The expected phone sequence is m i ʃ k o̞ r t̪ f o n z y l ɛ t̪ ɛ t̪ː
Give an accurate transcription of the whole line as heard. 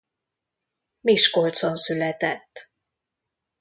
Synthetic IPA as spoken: m i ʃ k o̞ l t̪ s o n s y l ɛ t̪ ɛ t̪ː